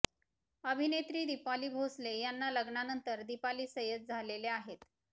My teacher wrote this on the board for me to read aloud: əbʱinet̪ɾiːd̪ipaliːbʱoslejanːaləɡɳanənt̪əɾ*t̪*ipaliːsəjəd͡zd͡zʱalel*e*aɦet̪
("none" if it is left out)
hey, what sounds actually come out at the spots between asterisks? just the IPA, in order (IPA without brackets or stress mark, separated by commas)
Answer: d̪, e